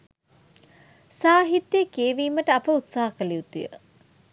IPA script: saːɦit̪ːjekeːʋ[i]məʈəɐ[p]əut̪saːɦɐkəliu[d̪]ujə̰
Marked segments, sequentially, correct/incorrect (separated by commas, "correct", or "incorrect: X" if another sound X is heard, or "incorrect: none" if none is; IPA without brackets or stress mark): incorrect: iː, correct, incorrect: t̪